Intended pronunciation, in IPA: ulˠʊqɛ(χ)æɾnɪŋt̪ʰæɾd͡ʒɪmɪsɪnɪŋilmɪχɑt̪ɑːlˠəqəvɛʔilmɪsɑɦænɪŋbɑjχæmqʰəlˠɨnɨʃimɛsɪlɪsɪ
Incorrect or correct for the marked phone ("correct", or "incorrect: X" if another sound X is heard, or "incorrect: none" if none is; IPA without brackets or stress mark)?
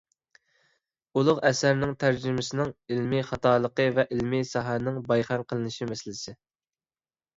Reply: incorrect: s